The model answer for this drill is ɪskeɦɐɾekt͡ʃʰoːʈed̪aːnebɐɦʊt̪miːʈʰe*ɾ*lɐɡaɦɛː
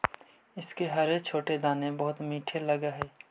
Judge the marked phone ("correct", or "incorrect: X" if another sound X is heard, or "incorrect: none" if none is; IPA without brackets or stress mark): incorrect: none